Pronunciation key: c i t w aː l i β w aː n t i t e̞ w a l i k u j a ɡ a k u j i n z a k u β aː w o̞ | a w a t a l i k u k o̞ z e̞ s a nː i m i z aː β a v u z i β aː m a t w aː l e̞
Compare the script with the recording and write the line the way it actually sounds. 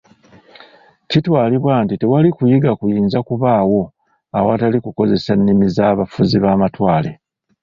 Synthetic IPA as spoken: c i t w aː l i β w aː n t i t e̞ w a l i k u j i ɡ a k u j iː n z a k u β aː w o̞ | a w a t a l i k u k o̞ z e̞ s a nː i m i z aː β a f u z i β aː m a t w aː l e̞

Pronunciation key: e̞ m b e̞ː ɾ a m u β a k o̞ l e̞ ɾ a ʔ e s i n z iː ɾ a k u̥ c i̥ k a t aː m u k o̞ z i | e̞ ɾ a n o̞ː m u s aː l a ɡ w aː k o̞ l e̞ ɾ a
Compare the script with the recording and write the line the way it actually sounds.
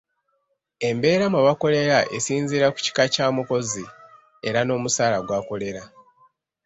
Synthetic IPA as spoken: e̞ m b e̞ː ɾ a m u β a k o̞ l e̞ ɾ a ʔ e s iː n z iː ɾ a k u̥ c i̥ k a c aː m u k o̞ z i | e̞ ɾ a n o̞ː m u s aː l a ɡ w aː k o̞ l e̞ ɾ a

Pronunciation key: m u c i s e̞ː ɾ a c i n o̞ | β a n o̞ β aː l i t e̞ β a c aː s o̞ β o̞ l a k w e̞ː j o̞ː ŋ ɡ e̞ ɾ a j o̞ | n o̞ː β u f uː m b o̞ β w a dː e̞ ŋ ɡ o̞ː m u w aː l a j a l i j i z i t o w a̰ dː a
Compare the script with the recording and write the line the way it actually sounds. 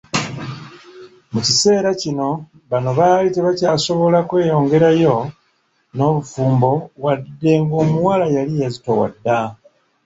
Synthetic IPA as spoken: m u c i s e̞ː ɾ a c i n o̞ | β a n o̞ β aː l i t e̞ β a c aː s o̞ β o̞ l a k w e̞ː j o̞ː ŋ ɡ e̞ ɾ a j o̞ | n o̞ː β u f uː m b o̞ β w a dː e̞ ŋ ɡ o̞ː m u w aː l a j a l i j a z i t o w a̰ dː a

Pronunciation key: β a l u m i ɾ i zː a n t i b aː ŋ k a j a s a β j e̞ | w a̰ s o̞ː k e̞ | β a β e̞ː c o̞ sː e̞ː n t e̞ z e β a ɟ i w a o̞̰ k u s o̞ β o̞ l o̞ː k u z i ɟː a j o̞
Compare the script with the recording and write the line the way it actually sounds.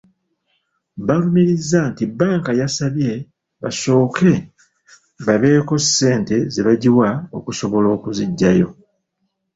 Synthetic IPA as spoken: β a l u m i ɾ i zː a n t i b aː ŋ k a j a s a β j e̞ | β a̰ s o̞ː k e̞ | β a β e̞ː k o̞ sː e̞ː n t e̞ z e β a ɟ i w a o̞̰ k u s o̞ β o̞ l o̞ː k u z i ɟː a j o̞

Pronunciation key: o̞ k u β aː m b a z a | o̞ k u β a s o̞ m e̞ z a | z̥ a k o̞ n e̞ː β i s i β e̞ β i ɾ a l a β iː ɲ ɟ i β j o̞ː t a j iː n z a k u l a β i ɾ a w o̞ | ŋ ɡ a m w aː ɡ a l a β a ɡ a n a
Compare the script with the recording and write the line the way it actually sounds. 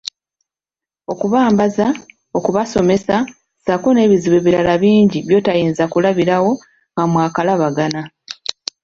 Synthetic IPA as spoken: o̞ k u β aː m b a z a | o̞ k u β a s o̞ m e̞ s a | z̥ a k o̞ n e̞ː β i z i β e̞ β i ɾ a l a β iː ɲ ɟ i β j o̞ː t a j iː n z a k u l a β i ɾ a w o̞ | ŋ ɡ a m w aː k a l a β a ɡ a n a

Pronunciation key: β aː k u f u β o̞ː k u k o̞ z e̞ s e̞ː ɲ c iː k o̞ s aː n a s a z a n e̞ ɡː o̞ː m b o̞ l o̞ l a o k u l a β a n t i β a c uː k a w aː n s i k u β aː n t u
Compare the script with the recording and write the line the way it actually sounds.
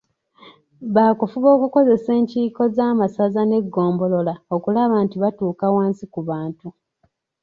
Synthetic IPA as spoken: β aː k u f u β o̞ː k u k o̞ z e̞ s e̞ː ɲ c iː k o̞ z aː m a s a z a n e̞ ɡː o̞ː m b o̞ l o̞ l a o k u l a β a n t i β a t uː k a w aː n s i k u β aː n t u

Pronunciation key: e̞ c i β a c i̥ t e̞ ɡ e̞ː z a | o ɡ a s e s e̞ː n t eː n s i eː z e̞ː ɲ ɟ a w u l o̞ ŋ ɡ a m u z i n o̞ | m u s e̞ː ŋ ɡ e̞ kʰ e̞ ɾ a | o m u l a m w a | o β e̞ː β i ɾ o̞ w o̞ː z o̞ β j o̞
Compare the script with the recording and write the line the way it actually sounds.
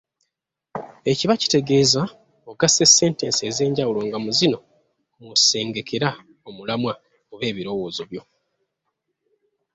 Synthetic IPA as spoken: e̞ c i β a c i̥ t e̞ ɡ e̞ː z a | o ɡ a s e s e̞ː n t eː n s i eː z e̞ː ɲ ɟ a w u l o̞ ŋ ɡ a m u z i n o̞ | m u s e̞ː ŋ ɡ e̞ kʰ e̞ ɾ a | o m u l a m w a | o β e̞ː β i ɾ o̞ w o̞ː z o̞ β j o̞

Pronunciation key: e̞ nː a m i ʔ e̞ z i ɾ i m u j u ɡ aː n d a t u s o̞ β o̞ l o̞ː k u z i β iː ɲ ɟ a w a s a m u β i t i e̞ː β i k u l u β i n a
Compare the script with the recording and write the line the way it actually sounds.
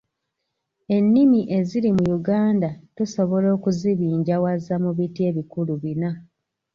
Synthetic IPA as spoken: e̞ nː i m i ʔ e̞ z i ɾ i m u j u ɡ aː n d a t u s o̞ β o̞ l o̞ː k u z i β iː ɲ ɟ a w a z a m u β i t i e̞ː β i k u l u β i n a

